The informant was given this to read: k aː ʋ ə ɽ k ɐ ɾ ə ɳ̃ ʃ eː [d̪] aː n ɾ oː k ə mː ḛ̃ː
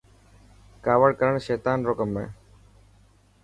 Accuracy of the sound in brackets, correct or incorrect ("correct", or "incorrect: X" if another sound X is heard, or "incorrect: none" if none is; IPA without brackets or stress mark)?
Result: incorrect: t̪